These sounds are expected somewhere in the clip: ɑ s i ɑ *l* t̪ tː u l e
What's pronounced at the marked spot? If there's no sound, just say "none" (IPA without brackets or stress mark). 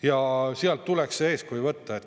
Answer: l